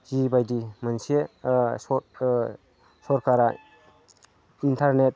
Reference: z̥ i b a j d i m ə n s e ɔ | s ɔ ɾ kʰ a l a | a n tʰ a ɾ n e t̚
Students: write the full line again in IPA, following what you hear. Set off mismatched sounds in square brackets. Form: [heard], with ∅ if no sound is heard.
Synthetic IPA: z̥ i b a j d i m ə n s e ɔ | s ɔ ɾ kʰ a [ɾ] a | [i] n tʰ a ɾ n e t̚

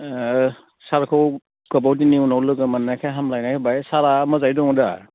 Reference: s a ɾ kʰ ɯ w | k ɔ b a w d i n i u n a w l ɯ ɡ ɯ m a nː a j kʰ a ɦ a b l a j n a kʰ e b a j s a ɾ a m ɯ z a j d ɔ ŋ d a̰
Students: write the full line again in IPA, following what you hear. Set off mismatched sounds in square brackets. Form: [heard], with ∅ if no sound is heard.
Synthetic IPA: s a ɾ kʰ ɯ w | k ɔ b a w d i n i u n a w l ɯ ɡ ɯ m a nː a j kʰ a ɦ a [m] l a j n a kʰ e b a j s a ɾ a m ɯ z a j d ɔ ŋ d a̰

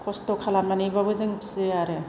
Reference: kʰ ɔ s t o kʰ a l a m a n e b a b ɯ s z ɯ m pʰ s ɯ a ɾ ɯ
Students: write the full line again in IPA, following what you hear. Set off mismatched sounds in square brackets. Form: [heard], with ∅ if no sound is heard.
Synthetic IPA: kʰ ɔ s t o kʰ a l a m a n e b a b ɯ [∅] z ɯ [ŋ] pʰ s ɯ a ɾ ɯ

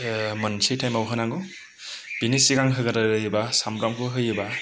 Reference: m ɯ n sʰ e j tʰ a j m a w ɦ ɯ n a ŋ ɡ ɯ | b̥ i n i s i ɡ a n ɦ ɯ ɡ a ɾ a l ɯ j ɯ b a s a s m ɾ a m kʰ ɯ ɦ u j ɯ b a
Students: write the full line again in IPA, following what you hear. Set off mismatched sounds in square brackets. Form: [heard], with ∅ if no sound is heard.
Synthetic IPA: m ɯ n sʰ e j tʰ a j m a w ɦ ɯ n a ŋ ɡ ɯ | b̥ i n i s i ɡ a [ŋ] ɦ ɯ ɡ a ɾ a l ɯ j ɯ b a s a [∅] m ɾ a m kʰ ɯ ɦ [ɯ] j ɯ b a

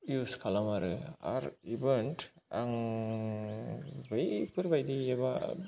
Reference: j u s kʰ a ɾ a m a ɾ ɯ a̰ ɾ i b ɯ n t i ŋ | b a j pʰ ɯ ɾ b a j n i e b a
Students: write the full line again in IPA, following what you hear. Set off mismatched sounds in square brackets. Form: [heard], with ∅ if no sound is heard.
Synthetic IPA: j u s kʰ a [l] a m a ɾ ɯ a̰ ɾ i b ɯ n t [a] ŋ | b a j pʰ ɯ ɾ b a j [d] i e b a

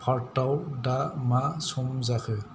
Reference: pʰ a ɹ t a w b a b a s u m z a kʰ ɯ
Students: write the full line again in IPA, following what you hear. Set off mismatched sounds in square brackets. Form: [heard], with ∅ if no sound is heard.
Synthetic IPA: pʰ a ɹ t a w [d] a [m] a s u m z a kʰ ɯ

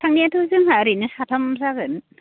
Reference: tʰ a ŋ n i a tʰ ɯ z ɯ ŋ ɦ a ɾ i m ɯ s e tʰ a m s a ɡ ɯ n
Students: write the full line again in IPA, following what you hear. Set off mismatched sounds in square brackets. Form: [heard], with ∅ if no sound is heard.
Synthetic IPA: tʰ a ŋ n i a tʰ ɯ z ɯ ŋ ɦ a ɾ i [n] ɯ s [a] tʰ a m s a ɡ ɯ n

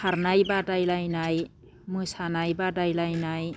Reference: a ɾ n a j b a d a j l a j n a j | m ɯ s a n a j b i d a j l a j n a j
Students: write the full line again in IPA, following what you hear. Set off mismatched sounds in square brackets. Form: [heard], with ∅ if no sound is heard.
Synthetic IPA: a ɾ n a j b a d a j l a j n a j | m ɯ s a n a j b [a] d a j l a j n a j

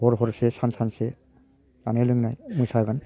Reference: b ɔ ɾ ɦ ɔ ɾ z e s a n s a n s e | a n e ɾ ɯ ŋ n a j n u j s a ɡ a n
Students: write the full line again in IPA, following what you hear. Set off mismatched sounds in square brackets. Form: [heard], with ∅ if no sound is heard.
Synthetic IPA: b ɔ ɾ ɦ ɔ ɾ [s] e s a n s a n s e | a n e [l] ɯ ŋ n a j [m] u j s a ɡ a n

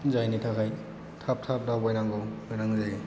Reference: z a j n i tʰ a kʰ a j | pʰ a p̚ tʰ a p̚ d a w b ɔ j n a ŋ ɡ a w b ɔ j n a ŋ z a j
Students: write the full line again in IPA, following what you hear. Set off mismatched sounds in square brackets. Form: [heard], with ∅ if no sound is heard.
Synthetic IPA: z a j n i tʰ a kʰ a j | [tʰ] a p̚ tʰ a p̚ d a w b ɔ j n a ŋ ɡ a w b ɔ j n a ŋ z a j

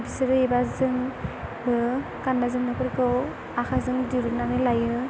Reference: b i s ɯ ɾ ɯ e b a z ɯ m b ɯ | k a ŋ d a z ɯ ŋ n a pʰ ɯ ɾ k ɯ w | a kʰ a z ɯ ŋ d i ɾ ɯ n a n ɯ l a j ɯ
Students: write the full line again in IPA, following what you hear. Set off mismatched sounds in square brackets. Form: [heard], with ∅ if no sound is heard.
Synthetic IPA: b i s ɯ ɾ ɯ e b a z ɯ [ŋ] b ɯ | k a [n] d a z ɯ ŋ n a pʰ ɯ ɾ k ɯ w | a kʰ a z ɯ ŋ d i ɾ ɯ n a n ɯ l a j ɯ

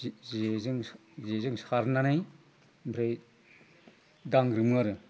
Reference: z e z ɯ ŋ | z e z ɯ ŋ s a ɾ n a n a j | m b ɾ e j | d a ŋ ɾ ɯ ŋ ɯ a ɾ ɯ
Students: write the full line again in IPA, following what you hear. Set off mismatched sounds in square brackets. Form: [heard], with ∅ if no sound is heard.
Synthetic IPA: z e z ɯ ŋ | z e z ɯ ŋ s a ɾ n a n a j | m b ɾ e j | d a ŋ ɾ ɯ [m] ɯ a ɾ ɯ

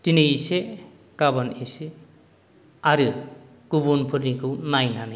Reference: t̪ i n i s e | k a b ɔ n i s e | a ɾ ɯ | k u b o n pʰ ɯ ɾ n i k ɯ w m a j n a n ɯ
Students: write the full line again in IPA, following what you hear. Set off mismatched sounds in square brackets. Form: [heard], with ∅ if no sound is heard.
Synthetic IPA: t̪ i n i s e | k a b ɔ n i s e | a ɾ ɯ | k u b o n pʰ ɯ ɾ n i k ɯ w [n] a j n a n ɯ

